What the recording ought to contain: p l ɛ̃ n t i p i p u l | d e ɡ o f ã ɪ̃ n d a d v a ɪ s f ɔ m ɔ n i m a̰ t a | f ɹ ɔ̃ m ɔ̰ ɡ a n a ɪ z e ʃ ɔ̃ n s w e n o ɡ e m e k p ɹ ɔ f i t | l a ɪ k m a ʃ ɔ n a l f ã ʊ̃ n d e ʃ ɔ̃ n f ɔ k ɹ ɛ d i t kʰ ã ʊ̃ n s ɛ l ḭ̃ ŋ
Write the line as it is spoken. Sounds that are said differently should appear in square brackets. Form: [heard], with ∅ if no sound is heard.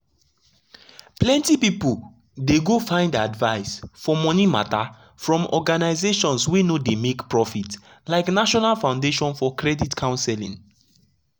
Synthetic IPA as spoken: p l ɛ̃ n t i p i p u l | d e ɡ o f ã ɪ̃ n d a d v a ɪ s f ɔ m ɔ n i m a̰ t a | f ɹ ɔ̃ m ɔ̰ ɡ a n a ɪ z e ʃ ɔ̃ n s w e n o [d] e m e k p ɹ ɔ f i t | l a ɪ k [n] a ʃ ɔ n a l f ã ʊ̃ n d e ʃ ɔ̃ n f ɔ k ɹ ɛ d i t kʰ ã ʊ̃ n s ɛ l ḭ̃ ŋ

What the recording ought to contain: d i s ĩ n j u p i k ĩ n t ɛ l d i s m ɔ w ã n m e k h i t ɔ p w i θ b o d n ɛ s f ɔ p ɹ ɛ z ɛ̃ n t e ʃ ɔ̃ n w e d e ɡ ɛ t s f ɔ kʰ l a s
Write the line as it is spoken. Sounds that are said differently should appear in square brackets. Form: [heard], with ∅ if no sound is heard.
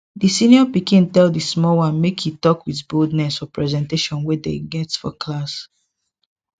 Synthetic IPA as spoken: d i s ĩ n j [ɔ] p i k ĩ n t ɛ l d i s m ɔ w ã n m e k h i t ɔ [k] w i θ b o d n ɛ s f ɔ p ɹ ɛ z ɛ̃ n t e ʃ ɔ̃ n w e d e ɡ ɛ t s f ɔ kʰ l a s

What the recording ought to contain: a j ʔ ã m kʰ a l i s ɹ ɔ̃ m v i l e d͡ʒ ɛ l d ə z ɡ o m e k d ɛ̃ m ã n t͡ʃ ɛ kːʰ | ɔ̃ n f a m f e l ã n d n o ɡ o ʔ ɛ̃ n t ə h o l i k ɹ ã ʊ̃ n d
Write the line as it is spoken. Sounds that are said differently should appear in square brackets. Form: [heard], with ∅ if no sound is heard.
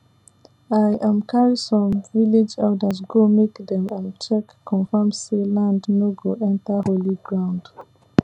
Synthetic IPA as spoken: a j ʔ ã m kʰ a [ɹ] i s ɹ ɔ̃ m v i l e d͡ʒ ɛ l d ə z ɡ o m e k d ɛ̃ m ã n t͡ʃ ɛ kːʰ | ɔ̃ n f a m [s] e l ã n d n o ɡ o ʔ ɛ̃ n t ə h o l i [ɡ] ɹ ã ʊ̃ n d

